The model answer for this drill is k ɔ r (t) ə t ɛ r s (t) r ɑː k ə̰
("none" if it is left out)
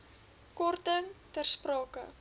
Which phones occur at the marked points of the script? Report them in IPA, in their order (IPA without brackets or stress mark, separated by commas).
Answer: t, p